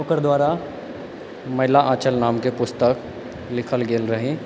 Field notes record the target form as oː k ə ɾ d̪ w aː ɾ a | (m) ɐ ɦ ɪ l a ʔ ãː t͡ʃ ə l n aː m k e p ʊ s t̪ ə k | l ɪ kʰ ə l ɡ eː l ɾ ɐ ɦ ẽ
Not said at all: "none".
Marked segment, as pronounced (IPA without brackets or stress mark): m